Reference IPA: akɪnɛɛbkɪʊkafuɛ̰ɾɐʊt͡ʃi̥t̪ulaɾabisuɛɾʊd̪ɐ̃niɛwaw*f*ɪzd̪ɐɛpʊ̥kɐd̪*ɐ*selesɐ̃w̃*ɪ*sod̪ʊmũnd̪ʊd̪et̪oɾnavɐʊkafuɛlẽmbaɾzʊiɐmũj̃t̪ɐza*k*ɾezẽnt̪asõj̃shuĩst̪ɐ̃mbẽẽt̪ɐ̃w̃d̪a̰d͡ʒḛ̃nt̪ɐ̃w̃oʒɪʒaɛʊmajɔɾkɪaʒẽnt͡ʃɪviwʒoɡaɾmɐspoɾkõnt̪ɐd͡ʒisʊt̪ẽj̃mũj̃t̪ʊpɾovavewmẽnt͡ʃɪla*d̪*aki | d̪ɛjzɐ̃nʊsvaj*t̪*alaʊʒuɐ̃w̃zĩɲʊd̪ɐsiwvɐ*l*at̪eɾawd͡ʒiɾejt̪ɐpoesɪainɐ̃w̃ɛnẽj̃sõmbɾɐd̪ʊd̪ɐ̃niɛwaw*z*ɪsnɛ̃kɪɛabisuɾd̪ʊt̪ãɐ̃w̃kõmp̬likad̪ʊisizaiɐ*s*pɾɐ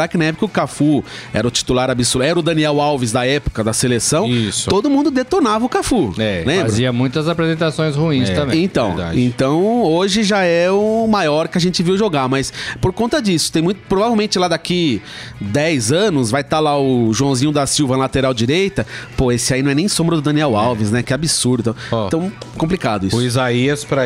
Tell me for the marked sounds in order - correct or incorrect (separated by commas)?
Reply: incorrect, correct, incorrect, incorrect, correct, correct, correct, incorrect, correct